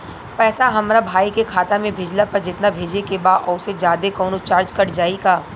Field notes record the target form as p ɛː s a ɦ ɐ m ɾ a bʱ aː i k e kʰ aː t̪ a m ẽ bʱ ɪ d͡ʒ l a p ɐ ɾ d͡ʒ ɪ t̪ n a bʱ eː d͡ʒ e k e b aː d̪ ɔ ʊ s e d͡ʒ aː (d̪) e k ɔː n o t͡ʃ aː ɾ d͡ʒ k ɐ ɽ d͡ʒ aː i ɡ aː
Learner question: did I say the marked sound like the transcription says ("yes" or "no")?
yes